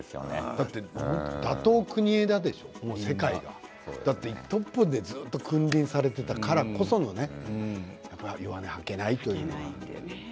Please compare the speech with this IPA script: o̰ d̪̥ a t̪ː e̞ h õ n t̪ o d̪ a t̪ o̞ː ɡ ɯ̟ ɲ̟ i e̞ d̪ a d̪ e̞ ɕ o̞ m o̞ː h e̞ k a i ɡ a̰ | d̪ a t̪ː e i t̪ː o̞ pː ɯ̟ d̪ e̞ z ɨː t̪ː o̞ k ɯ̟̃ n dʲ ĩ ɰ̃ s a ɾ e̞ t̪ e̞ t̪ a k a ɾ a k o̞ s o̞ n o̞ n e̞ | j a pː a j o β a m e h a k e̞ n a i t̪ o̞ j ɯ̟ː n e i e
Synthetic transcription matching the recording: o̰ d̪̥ a t̪ː e̞ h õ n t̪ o d̪ a t̪ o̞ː k ɯ̟ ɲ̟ i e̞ d̪ a d̪ e̞ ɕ o̞ m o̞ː s e̞ k a i ɡ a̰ | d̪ a t̪ː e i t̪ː o̞ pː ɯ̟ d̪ e̞ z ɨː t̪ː o̞ k ɯ̟̃ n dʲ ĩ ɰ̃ s a ɾ e̞ t̪ e̞ t̪ a k a ɾ a k o̞ s o̞ n o̞ n e̞ | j a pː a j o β a n e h a k e̞ n a i t̪ o̞ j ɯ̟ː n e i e